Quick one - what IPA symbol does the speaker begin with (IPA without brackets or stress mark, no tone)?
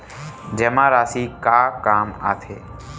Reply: d͡ʒ